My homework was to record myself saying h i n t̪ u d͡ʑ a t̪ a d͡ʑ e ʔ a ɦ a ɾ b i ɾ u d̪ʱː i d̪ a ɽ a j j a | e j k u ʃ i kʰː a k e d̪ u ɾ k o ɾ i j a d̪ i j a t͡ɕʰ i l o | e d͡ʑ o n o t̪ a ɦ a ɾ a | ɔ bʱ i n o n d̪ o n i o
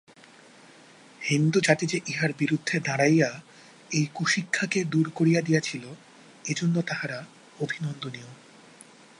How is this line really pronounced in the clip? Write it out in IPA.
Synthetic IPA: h i n d̪ u d͡ʑ a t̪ i d͡ʑ e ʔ i ɦ a ɾ b i ɾ u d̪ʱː e d̪ a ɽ a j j a | e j k u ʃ i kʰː a k e d̪ u ɾ k o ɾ i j a d̪ i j a t͡ɕʰ i l o | e d͡ʑ o nː o t̪ a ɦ a ɾ a | o bʱ i n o n d̪ o n i o

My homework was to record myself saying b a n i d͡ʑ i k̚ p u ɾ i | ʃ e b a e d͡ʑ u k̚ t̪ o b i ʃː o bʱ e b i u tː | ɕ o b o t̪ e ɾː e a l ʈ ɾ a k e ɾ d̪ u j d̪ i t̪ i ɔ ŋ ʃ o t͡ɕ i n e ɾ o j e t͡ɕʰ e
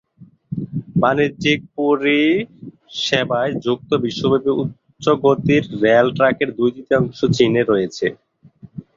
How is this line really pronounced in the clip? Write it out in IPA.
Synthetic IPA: b a n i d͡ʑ i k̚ p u ɾ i | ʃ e b a e d͡ʑ u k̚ t̪ o b i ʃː o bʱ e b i u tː | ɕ o ɡ o t̪ i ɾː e a l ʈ ɾ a k e ɾ d̪ u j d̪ i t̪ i ɔ ŋ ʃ o t͡ɕ i n e ɾ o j e t͡ɕʰ e

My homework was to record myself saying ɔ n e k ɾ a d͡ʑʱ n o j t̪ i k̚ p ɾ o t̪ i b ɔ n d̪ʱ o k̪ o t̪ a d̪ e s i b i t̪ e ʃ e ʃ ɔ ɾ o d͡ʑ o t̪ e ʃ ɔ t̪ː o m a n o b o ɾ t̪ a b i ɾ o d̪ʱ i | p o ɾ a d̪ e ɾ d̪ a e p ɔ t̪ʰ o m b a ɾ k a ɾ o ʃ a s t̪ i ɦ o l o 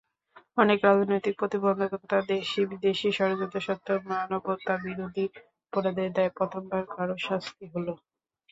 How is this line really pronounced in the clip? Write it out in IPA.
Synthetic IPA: ɔ n e k ɾ a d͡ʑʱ n o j t̪ i k̚ p ɾ o t̪ i b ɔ n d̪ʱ o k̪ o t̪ a d̪ e ʃ i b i d̪ e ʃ i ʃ ɔ ɾ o d͡ʑ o t̪ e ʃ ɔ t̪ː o m a n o b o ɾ t̪ a b i ɾ o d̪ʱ i | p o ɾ a d̪ e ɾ d̪ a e p ɔ t̪ʰ o m b a ɾ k a ɾ o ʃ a s t̪ i ɦ o l o

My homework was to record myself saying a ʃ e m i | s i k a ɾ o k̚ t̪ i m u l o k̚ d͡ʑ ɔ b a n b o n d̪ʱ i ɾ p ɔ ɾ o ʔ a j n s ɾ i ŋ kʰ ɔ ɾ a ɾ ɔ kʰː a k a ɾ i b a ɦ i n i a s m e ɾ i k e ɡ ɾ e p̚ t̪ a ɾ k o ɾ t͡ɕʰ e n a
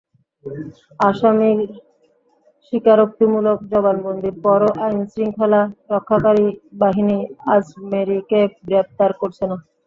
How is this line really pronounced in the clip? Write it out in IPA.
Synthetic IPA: a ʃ a m i | ʃ i k a ɾ o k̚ t̪ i m u l o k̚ d͡ʑ ɔ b a n b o n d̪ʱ i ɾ p ɔ ɾ o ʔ a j n s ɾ i ŋ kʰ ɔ l a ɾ ɔ kʰː a k a ɾ i b a ɦ i n i a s m e ɾ i k e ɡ ɾ e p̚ t̪ a ɾ k o ɾ t͡ɕʰ e n a

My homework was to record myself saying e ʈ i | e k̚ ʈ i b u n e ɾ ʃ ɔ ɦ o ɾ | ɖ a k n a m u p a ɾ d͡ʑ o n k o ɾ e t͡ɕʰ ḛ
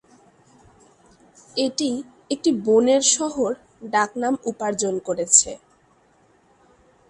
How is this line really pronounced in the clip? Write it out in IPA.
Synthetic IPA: e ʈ i | e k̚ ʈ i b o n e ɾ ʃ ɔ ɦ o ɾ | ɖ a k n a m u p a ɾ d͡ʑ o n k o ɾ e t͡ɕʰ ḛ

